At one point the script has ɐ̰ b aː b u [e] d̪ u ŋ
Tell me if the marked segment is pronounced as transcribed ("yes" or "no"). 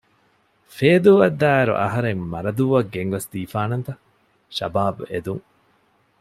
yes